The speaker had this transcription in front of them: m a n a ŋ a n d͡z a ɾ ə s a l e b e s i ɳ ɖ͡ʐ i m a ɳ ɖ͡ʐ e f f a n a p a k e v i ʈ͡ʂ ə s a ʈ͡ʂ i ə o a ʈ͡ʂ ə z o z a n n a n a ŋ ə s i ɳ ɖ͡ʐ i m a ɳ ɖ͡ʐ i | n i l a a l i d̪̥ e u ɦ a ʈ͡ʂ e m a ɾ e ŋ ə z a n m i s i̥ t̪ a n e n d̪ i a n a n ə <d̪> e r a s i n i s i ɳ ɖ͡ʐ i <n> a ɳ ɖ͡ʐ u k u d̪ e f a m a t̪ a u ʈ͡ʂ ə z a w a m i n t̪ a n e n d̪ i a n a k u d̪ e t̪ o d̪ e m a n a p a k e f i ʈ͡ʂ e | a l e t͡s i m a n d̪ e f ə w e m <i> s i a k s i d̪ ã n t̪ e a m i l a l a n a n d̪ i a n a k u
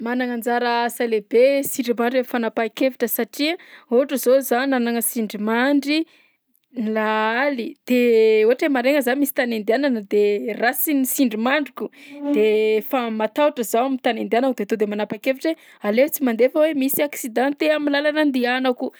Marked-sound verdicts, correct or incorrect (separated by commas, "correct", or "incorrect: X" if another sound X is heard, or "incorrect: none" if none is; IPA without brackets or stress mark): correct, incorrect: m, correct